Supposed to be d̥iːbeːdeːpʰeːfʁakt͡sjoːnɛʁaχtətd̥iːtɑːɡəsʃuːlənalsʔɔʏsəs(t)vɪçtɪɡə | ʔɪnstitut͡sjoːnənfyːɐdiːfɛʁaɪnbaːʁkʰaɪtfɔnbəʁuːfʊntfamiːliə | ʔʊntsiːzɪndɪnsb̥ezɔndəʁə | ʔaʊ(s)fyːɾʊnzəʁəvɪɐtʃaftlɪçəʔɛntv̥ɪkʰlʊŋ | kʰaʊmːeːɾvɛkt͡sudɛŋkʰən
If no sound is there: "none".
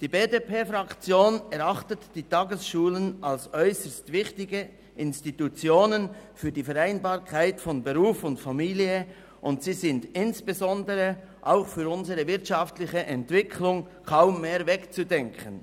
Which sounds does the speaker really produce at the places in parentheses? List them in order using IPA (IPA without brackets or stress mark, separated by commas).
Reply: t, x